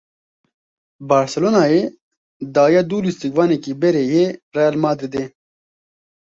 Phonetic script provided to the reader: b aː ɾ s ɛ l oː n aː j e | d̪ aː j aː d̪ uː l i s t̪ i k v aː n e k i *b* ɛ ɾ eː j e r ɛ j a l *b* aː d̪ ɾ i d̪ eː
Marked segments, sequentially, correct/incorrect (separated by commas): correct, incorrect